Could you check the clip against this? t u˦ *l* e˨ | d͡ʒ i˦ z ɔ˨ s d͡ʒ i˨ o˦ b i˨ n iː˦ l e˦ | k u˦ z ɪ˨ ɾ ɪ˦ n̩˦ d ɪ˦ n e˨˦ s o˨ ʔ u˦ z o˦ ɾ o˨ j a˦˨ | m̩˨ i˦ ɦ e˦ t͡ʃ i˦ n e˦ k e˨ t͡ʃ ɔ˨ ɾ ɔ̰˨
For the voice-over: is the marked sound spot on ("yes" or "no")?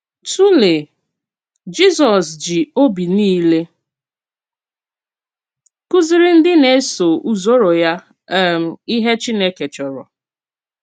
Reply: yes